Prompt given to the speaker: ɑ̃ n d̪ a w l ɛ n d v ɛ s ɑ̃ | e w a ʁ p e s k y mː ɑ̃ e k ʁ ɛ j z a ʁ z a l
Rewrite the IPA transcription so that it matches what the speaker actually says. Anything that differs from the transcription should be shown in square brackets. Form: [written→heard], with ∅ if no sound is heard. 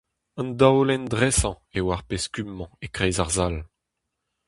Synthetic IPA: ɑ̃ n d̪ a w l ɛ n d [v→ʁ] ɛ s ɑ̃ | e w a ʁ p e s k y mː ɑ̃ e k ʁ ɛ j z a ʁ z a l